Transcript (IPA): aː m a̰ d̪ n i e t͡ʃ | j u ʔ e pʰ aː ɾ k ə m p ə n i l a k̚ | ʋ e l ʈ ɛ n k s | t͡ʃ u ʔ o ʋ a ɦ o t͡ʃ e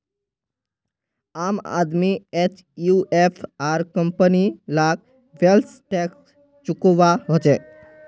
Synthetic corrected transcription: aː m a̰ d̪ m i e t͡ʃ | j u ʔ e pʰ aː ɾ k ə m p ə n i l a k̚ | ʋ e l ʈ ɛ k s | t͡ʃ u k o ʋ a ɦ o t͡ʃ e